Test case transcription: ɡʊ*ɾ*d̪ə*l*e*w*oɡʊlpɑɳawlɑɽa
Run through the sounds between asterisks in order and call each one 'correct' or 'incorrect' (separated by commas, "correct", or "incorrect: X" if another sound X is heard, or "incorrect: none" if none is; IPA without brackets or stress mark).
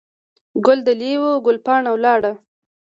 incorrect: l, correct, correct